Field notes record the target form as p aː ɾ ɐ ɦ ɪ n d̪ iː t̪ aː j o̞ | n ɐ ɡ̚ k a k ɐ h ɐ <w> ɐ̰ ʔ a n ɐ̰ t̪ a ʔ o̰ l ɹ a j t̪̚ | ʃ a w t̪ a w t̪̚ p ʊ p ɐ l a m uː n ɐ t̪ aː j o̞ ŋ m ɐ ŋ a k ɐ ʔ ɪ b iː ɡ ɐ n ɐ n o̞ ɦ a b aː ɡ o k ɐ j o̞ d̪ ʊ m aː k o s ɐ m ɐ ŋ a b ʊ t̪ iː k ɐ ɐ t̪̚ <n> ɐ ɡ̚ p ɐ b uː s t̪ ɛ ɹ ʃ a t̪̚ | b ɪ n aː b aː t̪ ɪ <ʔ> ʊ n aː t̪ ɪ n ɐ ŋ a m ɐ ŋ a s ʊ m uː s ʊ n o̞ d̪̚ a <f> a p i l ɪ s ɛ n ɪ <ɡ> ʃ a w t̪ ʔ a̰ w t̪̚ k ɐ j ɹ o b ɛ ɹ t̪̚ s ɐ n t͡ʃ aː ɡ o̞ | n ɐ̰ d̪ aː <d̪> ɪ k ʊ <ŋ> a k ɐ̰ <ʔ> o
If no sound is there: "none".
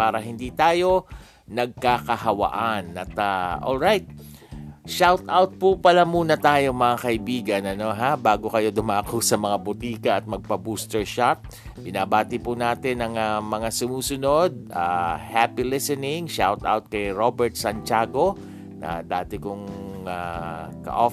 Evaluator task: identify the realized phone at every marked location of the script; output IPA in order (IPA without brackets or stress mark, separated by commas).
w, m, p, h, ŋ, t̪, ŋ, ʔ